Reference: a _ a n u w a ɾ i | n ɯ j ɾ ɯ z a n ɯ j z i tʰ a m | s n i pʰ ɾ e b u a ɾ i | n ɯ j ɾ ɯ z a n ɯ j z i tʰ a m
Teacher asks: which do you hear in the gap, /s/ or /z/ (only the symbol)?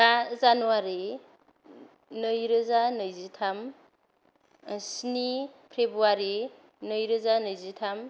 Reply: z